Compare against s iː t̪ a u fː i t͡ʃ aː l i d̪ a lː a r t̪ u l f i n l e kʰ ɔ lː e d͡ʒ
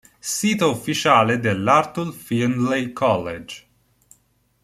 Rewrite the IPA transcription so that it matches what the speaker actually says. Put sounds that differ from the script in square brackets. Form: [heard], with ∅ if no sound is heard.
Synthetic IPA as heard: s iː t̪ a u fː i t͡ʃ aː l [e] d̪ [e] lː a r t̪ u l f i n l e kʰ ɔ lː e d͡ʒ